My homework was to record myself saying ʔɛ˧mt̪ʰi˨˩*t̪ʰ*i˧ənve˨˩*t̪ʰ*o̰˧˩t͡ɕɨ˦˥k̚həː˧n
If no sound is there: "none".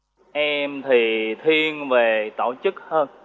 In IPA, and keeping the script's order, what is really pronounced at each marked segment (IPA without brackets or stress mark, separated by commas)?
t̪ʰ, t̪